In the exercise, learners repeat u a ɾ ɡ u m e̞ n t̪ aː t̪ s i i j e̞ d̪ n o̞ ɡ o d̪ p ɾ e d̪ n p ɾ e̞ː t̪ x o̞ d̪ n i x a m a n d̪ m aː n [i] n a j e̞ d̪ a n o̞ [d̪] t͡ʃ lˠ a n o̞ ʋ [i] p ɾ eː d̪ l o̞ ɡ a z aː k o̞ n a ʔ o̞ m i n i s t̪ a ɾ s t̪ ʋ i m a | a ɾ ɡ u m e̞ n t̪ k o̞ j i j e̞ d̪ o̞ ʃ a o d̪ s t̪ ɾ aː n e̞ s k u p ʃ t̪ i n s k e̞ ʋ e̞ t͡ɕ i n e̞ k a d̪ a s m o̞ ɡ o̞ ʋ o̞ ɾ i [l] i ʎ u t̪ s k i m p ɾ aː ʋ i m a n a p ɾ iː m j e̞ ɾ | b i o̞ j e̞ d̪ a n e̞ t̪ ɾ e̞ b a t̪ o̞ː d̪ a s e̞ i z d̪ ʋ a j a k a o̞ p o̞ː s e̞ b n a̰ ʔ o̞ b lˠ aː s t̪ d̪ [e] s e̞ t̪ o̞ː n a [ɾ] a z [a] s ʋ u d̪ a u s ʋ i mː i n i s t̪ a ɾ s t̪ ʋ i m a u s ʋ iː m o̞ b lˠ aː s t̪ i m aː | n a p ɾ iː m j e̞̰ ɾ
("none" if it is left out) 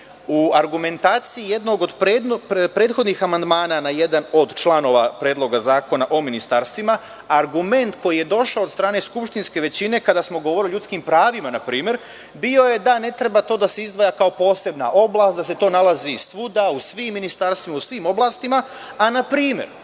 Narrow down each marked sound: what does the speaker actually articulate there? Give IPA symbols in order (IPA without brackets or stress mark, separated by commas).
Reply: a, d̪, a, l, a, l, i